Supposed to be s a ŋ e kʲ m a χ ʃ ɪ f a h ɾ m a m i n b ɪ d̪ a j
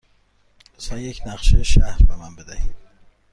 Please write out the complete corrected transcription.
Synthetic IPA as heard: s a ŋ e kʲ n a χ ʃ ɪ ʃ a h ɾ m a m a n b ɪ d̪ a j